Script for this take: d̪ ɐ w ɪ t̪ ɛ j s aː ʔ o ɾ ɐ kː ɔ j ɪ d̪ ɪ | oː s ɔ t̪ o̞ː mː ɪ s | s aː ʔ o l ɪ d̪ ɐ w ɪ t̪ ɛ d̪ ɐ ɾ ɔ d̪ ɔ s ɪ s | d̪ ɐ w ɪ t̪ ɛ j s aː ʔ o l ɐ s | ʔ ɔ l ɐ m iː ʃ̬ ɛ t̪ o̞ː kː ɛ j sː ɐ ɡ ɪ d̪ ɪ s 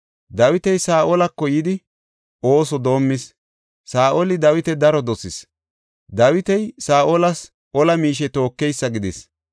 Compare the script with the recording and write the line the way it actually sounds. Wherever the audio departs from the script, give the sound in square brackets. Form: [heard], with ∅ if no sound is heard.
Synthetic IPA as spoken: d̪ ɐ w ɪ t̪ ɛ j s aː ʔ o [l] ɐ kː ɔ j ɪ d̪ ɪ | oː s ɔ [d̪] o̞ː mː ɪ s | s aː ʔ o l ɪ d̪ ɐ w ɪ t̪ ɛ d̪ ɐ ɾ ɔ d̪ ɔ s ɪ s | d̪ ɐ w ɪ t̪ ɛ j s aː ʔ o l ɐ s | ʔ ɔ l ɐ m iː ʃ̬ ɛ t̪ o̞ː kː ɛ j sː ɐ ɡ ɪ d̪ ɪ s